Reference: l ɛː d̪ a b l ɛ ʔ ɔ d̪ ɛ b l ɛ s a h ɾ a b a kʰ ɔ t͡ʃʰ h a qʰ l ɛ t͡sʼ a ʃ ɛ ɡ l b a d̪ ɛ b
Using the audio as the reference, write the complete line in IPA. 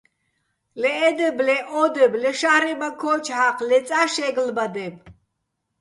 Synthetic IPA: l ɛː d̪ ɛ b l ɛ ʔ ɔ d̪ ɛ b l ɛ ʃ a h ɾ ɛ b a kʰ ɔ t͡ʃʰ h a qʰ l ɛ t͡sʼ a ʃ ɛ ɡ l b a d̪ ɛ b